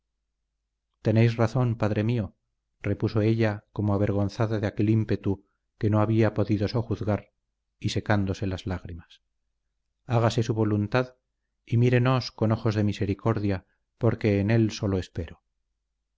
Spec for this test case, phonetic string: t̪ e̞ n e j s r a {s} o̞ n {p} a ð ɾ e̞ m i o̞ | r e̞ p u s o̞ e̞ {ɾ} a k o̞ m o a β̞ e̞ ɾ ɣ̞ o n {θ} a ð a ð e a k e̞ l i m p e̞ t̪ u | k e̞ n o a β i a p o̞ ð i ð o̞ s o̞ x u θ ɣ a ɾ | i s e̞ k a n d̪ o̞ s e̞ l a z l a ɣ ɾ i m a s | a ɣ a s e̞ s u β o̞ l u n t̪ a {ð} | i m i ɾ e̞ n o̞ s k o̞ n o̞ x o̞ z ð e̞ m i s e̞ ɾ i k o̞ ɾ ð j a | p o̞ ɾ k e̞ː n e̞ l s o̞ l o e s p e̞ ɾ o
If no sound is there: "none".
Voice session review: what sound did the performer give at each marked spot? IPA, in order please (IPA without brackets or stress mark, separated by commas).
θ, p, ʎ, θ, ð